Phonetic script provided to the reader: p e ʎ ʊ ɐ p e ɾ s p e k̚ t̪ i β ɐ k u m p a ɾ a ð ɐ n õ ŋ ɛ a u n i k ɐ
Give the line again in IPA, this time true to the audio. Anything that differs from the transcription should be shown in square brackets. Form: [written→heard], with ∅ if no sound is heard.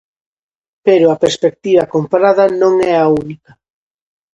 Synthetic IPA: p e [ʎ→ɾ] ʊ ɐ p e ɾ s p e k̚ t̪ i β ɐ k [u→o] m p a ɾ a ð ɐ n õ ŋ ɛ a u n i k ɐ